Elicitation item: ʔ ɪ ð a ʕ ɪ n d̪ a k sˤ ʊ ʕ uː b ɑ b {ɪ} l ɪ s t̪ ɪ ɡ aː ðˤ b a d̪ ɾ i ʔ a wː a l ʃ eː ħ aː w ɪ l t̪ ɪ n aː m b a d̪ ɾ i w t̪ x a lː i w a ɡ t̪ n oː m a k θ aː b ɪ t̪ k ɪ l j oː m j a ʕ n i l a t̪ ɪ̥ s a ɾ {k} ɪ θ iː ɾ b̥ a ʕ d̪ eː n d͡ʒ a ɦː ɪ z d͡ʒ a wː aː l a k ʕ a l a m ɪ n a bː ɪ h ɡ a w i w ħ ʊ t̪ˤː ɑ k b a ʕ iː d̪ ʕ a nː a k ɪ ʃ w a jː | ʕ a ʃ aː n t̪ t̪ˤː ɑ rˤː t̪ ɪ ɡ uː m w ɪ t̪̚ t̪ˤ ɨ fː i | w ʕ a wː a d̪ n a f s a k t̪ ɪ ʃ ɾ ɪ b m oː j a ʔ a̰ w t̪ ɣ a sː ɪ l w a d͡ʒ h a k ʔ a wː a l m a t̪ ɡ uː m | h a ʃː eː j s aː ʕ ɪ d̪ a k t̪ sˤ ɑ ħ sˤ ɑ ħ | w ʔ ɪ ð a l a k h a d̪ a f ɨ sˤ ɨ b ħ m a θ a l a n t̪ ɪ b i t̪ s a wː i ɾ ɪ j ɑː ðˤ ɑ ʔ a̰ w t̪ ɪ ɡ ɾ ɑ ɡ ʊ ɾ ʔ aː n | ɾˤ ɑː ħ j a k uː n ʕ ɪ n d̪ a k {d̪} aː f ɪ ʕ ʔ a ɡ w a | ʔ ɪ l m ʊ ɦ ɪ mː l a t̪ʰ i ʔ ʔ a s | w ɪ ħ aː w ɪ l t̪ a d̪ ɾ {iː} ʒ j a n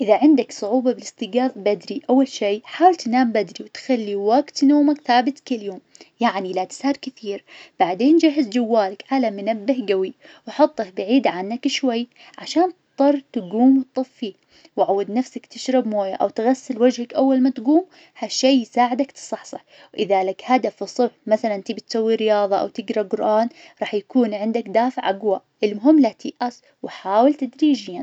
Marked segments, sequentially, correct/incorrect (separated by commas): correct, correct, correct, correct